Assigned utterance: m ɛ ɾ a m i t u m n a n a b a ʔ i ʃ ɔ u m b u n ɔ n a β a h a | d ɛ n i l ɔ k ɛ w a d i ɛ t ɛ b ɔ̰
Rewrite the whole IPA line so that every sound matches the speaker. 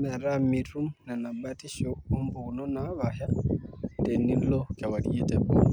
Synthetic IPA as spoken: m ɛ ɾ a m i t u m n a n a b a t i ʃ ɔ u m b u n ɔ n a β a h a | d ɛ n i l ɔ k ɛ w a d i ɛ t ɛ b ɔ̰